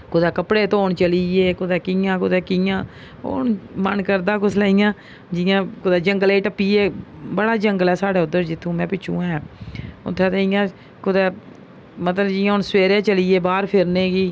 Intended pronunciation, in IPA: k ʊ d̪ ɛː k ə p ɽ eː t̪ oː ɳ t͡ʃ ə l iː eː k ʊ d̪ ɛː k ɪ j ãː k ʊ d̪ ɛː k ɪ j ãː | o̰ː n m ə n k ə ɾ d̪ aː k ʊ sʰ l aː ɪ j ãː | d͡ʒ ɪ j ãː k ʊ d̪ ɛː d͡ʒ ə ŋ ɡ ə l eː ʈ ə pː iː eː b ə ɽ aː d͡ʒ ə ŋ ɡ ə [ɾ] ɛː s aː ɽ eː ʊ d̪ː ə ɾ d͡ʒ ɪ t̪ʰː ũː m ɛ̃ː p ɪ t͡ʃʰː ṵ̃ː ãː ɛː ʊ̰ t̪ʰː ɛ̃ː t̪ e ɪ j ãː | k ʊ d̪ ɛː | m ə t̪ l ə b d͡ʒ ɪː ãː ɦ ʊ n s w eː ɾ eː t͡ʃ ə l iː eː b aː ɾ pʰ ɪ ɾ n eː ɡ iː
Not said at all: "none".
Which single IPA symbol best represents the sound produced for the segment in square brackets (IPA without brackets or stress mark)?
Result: l